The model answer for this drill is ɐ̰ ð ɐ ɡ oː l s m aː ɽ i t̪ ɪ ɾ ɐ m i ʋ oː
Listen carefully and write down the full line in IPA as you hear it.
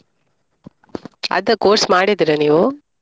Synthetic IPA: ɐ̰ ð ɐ k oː ɾ s m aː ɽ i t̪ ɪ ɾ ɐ n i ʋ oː